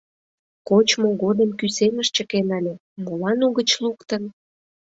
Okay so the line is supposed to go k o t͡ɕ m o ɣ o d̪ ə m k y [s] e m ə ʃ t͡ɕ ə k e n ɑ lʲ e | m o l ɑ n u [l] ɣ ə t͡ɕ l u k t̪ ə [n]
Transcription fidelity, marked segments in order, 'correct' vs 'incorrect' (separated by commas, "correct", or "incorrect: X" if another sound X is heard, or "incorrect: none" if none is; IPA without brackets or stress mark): correct, incorrect: none, correct